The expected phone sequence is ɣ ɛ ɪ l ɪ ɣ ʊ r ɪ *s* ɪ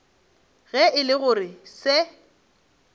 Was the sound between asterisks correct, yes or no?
yes